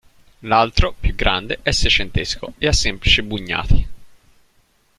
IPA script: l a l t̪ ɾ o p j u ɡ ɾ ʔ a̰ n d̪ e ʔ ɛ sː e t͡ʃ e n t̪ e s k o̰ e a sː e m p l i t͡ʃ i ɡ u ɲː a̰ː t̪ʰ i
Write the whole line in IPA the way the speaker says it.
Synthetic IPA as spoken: l a l t̪ ɾ o p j u ɡ ɾ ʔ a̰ n d̪ e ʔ ɛ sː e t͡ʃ e n t̪ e s k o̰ e a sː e m p l i t͡ʃ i b u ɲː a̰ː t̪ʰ i